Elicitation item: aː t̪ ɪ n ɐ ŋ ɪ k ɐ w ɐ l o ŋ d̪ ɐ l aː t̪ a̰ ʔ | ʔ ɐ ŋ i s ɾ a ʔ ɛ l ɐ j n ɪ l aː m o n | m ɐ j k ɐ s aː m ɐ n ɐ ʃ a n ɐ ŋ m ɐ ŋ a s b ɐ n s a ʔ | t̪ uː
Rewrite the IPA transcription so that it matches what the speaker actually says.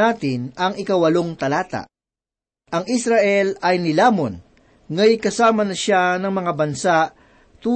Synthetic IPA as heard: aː t̪ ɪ n ɐ ŋ ɪ k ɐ w ɐ l o ŋ t̪ ɐ l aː t̪ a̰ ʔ | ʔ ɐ ŋ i s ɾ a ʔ ɛ l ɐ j n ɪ l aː m o n | ŋ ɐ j k ɐ s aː m ɐ n ɐ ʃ a n ɐ ŋ m ɐ ŋ a b ɐ n s a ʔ | t̪ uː